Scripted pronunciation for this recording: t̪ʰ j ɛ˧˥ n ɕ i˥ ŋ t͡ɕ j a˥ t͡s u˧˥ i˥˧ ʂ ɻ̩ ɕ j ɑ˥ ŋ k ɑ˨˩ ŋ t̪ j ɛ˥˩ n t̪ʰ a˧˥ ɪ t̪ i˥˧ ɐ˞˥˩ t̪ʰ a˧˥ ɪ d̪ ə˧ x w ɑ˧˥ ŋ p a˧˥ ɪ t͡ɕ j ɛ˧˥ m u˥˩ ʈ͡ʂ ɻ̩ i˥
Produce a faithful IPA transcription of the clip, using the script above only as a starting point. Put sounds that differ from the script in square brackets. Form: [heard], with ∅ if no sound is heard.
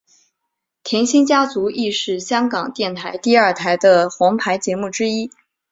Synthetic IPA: t̪ʰ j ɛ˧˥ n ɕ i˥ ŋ t͡ɕ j a˥ t͡s u˧˥ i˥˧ ʂ ɻ̩ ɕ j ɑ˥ ŋ k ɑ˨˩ ŋ t̪ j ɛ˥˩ n t̪ʰ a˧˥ ɪ t̪ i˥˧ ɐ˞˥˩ t̪ʰ a˧˥ ɪ d̪ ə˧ x w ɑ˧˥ ŋ [pʰ] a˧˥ ɪ t͡ɕ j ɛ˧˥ m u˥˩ ʈ͡ʂ ɻ̩ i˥